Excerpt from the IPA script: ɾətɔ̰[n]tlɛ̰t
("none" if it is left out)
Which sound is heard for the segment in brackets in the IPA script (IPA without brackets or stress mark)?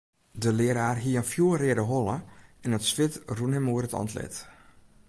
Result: n